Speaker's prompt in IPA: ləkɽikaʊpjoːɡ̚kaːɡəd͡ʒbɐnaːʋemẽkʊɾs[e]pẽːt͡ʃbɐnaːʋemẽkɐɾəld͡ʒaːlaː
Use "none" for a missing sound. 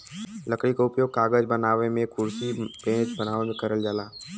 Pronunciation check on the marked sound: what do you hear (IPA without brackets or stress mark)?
i